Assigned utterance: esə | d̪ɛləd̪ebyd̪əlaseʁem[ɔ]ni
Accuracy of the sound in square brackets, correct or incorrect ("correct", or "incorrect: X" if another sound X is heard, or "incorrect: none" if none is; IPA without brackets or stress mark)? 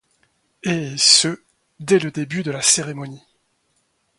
correct